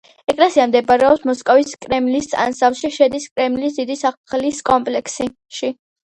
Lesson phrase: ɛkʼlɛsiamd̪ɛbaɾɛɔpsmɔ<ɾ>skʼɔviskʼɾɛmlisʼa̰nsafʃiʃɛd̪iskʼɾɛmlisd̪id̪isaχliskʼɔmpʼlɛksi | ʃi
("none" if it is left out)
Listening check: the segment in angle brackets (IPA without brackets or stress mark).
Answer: none